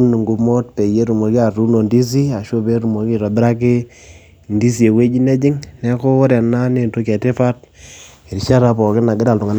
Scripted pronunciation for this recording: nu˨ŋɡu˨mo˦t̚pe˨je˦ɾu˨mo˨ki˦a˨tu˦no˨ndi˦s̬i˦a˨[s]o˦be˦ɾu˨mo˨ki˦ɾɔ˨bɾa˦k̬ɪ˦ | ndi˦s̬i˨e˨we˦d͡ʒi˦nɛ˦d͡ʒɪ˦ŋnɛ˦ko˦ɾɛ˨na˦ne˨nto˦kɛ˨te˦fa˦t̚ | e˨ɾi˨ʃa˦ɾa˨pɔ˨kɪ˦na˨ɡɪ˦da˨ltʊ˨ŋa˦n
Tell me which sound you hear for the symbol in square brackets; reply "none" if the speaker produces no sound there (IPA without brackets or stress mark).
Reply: ʃ